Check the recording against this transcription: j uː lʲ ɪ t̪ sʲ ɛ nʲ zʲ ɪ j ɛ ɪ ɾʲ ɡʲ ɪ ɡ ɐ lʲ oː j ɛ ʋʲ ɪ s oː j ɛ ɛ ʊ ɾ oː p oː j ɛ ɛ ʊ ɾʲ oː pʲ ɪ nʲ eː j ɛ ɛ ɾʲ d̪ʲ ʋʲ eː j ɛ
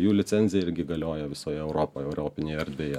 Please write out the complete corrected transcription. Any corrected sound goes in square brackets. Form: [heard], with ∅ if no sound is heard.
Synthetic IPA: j uː lʲ ɪ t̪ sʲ ɛ nʲ zʲ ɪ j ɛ ɪ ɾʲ ɡʲ ɪ ɡ ɐ lʲ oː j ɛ ʋʲ ɪ s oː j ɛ ɛ ʊ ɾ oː p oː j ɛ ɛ ʊ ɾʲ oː pʲ ɪ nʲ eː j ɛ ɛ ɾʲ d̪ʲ ʋʲ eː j ɛ